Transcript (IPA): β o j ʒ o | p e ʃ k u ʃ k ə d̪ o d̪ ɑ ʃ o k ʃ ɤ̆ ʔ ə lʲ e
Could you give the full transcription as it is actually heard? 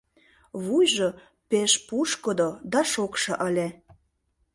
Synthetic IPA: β u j ʒ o | p e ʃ p u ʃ k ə d̪ o d̪ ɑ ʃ o k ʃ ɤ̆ ʔ ə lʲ e